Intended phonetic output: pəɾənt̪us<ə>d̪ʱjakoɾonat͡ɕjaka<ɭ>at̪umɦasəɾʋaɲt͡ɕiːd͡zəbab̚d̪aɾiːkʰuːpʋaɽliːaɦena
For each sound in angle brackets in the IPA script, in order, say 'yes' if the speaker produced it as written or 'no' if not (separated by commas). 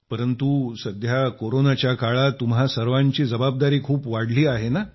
yes, yes